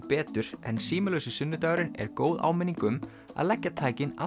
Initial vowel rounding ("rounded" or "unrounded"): unrounded